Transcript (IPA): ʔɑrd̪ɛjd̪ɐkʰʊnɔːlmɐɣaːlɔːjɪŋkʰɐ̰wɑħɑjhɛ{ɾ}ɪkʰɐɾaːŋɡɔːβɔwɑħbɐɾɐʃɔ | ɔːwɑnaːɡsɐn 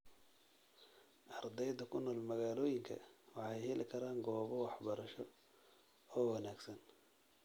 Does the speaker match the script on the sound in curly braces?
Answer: no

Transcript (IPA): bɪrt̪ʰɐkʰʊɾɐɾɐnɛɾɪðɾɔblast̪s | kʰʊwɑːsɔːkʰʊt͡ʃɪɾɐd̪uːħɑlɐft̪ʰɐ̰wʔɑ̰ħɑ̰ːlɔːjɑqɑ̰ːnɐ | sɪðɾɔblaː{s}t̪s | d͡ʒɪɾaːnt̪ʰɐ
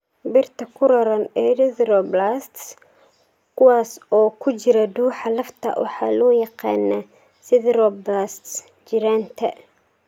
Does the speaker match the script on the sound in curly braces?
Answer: yes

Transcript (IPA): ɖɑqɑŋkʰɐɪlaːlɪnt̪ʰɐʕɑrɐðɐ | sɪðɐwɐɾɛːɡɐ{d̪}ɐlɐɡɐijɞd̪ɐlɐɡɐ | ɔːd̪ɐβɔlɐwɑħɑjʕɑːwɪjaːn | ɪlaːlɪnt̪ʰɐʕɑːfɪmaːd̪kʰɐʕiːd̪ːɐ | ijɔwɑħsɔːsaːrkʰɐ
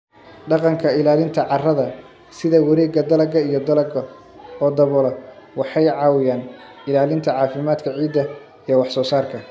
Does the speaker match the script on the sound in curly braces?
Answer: yes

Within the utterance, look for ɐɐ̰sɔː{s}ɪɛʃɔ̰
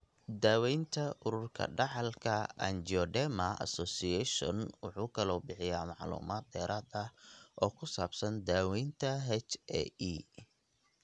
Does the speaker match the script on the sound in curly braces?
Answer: yes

